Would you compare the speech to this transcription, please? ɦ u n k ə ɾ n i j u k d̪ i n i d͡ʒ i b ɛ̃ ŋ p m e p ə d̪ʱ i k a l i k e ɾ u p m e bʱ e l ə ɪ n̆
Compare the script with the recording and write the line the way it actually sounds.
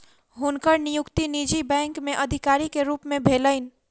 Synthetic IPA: ɦ u n k ə ɾ n i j u k t̪ i n i d͡ʒ i b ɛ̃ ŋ k m e ʔ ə d̪ʱ i k a ɾ i k e ɾ u p m e bʱ e l ə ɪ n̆